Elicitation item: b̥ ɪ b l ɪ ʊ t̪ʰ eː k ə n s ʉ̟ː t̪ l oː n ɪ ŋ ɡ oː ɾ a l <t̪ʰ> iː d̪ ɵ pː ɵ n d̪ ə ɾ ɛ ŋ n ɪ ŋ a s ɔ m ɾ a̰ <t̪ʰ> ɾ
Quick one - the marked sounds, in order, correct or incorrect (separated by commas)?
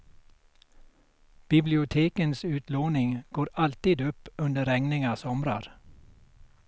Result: incorrect, incorrect